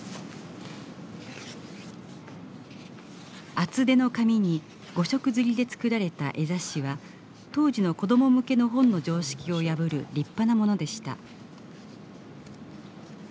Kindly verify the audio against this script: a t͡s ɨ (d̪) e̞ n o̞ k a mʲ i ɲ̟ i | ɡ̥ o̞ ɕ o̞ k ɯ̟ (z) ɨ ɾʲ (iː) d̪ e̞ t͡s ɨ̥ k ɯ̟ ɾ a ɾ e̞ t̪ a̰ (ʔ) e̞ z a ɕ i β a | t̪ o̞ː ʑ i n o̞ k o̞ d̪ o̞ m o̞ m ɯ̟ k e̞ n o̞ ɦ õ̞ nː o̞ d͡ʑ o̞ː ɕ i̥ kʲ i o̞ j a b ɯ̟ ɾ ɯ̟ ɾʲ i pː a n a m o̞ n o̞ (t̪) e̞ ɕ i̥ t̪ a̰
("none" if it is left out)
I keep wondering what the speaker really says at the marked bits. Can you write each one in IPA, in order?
d̪, z, i, ʔ, d̪

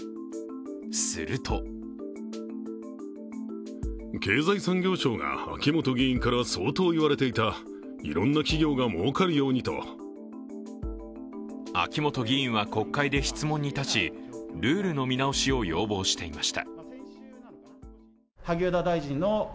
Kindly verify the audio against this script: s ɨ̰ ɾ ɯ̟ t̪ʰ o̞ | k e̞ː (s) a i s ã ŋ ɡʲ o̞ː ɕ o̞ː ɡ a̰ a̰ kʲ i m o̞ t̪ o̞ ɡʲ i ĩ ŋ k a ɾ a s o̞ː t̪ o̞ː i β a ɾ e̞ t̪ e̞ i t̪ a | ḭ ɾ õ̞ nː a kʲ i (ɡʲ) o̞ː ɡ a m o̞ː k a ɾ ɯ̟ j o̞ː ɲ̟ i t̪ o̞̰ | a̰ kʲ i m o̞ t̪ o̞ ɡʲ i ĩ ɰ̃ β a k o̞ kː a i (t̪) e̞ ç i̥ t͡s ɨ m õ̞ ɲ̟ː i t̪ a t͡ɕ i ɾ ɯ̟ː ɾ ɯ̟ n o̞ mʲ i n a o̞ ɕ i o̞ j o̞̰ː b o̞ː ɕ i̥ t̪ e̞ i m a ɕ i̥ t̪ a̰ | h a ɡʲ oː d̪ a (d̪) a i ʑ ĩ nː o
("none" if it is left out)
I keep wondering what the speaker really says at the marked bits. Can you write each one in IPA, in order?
z, ɡʲ, d̪, d̪

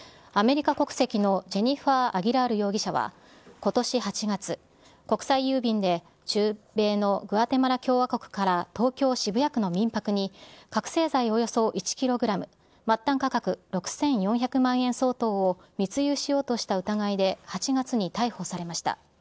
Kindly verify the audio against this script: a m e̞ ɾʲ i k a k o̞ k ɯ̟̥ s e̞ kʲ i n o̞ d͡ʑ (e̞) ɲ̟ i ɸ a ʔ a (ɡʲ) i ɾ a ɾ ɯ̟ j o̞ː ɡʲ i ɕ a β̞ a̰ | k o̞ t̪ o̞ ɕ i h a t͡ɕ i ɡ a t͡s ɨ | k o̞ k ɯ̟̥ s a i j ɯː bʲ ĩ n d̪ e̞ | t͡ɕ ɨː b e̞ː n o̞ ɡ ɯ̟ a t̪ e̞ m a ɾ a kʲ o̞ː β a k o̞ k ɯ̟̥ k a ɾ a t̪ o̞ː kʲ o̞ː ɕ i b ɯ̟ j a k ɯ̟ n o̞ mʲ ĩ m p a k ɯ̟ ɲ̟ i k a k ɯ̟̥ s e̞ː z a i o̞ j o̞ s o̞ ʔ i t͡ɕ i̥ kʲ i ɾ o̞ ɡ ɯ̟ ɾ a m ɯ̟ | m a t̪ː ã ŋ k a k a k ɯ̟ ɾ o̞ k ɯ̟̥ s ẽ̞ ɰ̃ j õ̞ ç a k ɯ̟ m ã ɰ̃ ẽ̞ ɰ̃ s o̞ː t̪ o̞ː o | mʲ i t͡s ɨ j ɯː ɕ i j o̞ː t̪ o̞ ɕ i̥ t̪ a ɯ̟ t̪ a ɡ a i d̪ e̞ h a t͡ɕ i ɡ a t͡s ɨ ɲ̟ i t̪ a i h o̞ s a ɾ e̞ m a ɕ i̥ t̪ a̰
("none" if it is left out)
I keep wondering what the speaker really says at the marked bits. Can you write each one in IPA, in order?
e̞, ɡʲ

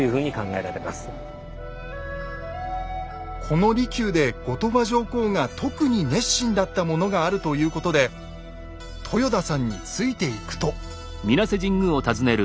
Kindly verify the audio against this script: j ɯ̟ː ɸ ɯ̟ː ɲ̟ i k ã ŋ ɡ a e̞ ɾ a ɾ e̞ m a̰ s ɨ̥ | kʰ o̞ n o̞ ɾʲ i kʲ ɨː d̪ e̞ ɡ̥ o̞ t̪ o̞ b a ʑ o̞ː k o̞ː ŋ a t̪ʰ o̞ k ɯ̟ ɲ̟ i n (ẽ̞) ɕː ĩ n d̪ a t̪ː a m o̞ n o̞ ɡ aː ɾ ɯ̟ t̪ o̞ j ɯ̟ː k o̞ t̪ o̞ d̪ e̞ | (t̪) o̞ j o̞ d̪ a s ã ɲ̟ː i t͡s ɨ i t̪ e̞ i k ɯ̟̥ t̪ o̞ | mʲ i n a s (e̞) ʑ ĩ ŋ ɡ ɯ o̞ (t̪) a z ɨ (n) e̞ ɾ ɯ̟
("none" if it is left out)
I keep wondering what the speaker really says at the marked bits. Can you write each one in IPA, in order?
e̞, t̪ʰ, e̞, t̪, n

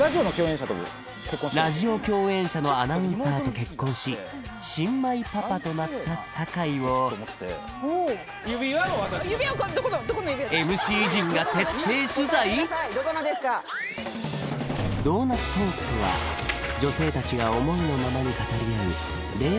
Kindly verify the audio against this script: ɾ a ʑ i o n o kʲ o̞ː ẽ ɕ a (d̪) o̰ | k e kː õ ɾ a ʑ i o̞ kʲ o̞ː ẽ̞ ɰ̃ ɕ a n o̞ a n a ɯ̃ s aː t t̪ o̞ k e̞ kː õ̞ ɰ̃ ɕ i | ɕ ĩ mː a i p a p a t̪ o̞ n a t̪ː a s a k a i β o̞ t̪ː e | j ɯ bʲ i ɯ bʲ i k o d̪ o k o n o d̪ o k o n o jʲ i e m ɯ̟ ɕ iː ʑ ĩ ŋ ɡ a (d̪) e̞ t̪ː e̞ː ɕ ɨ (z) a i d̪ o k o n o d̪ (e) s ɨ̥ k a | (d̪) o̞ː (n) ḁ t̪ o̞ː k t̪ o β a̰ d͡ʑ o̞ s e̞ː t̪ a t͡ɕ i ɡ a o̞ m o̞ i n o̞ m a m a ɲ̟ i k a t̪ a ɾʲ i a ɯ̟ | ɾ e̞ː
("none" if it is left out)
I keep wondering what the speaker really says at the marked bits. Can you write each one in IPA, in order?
t̪, t̪, z, e, d̪, n

